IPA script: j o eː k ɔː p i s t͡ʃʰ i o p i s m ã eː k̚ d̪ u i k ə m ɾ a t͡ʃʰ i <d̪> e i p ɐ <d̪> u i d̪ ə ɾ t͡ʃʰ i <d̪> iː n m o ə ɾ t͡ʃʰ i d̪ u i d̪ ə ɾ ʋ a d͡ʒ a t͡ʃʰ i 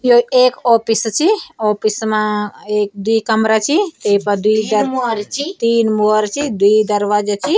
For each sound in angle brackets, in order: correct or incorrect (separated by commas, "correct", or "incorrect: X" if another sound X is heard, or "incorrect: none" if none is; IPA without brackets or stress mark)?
incorrect: t̪, correct, incorrect: t̪